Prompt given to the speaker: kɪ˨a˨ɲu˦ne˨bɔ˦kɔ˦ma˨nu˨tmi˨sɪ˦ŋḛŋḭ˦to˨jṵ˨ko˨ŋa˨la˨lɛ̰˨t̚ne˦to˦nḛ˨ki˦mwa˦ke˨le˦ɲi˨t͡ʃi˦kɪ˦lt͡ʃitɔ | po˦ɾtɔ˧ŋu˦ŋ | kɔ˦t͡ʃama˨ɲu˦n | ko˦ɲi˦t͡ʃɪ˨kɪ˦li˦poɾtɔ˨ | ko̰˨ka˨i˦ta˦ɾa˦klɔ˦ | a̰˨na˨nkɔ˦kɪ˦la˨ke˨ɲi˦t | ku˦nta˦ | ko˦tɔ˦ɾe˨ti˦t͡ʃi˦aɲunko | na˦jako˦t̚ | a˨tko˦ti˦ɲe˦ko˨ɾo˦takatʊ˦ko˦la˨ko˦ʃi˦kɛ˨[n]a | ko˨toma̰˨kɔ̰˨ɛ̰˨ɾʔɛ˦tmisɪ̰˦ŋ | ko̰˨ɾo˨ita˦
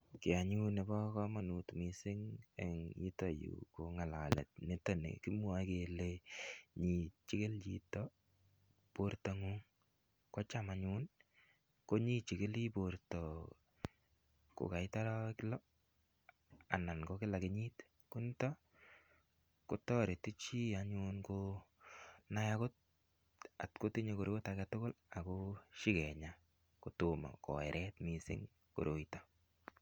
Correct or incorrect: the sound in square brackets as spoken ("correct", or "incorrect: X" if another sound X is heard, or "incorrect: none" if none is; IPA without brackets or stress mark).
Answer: incorrect: ɲ